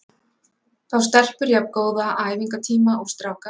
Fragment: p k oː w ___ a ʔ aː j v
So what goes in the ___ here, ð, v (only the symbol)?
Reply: ð